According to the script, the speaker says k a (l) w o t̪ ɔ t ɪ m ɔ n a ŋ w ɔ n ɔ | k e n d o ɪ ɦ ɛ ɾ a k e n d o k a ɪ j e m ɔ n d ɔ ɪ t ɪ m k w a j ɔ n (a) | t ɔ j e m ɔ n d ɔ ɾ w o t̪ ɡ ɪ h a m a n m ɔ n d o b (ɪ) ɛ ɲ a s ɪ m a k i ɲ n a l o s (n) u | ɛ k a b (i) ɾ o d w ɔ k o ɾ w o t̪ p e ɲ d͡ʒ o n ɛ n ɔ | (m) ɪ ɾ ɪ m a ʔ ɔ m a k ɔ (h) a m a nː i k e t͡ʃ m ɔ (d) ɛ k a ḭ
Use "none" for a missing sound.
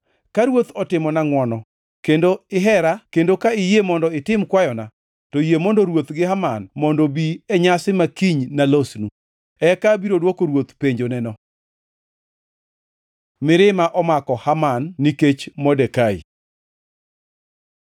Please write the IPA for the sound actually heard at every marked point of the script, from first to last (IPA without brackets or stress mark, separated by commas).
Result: ɾ, a, i, n, i, m, h, d